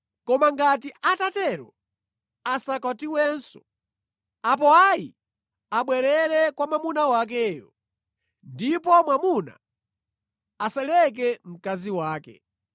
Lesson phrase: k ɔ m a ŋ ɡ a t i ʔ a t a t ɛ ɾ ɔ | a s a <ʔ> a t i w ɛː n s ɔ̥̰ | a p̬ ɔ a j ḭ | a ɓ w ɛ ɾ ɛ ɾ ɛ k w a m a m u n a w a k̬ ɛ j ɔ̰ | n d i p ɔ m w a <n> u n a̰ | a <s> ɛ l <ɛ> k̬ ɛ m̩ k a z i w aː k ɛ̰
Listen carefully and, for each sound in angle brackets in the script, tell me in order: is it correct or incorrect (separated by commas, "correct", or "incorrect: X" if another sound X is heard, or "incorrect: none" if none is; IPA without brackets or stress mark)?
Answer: incorrect: k, incorrect: m, correct, correct